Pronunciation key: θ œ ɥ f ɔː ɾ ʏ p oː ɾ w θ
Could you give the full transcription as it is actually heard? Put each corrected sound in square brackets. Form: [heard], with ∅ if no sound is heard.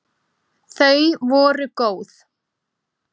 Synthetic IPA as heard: θ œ ɥ [v] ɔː ɾ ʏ [k] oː [∅] w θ